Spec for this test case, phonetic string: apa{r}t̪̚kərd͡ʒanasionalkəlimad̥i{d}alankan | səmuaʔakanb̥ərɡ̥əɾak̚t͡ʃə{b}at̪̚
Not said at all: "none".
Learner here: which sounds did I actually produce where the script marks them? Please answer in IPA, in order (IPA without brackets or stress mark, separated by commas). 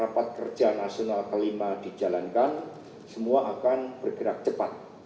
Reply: none, d͡ʒ, p